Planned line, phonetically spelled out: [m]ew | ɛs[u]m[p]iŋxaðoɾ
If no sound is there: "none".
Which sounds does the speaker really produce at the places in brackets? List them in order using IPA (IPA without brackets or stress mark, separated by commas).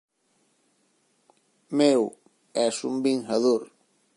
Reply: m, u, b